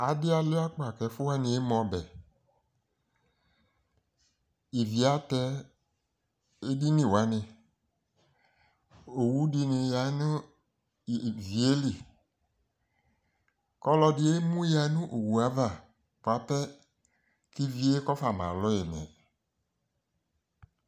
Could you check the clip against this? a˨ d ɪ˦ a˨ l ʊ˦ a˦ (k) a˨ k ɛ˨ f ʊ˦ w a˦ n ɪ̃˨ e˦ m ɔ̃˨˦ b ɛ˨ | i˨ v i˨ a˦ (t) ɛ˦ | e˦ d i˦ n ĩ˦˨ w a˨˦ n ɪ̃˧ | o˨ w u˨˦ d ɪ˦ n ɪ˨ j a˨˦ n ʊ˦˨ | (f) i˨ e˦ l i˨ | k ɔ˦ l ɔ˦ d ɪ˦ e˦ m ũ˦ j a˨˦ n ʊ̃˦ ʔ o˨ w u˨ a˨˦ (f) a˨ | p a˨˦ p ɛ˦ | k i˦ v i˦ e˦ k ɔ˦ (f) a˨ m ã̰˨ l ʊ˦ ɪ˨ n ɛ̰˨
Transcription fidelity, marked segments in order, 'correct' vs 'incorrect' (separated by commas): incorrect, correct, incorrect, incorrect, correct